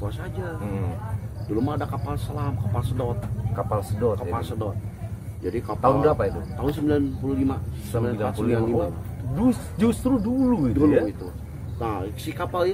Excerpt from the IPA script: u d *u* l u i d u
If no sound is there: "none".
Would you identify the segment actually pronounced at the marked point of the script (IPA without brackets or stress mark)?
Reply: u